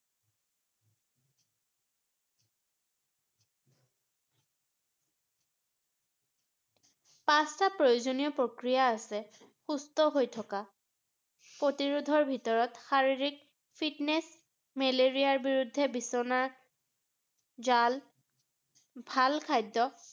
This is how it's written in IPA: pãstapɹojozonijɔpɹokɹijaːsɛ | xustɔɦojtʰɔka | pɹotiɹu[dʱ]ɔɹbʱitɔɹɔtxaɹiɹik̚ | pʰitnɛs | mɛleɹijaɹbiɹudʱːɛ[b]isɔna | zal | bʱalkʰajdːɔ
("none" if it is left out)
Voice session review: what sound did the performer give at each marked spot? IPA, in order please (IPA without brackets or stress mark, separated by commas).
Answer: dʱ, b